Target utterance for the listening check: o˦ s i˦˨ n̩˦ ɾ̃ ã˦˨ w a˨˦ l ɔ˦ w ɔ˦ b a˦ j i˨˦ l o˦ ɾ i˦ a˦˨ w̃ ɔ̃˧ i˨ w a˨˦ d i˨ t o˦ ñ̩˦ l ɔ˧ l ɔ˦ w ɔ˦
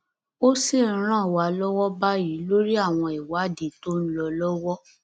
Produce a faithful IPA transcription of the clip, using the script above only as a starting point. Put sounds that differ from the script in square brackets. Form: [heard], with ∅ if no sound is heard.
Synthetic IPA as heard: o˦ s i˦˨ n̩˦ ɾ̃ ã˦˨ w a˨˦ l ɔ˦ w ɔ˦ b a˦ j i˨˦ l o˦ ɾ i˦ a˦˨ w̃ ɔ̃˧ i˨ w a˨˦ d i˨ t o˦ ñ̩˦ l ɔ˧ l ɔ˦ w ɔ˦